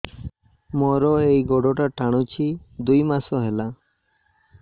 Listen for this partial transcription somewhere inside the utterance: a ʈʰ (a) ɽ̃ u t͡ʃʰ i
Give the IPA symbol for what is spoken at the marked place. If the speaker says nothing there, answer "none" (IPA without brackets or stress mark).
a